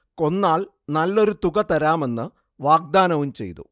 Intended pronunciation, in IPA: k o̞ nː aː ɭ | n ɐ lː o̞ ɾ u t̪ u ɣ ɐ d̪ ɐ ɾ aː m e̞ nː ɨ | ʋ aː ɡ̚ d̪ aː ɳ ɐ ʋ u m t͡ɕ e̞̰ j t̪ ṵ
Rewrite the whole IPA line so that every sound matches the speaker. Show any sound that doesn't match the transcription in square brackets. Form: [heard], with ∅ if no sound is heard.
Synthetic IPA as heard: k o̞ nː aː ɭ | n ɐ lː o̞ ɾ u t̪ u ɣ ɐ [t̪] ɐ ɾ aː m e̞ nː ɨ | ʋ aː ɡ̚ d̪ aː [n] ɐ ʋ u m t͡ɕ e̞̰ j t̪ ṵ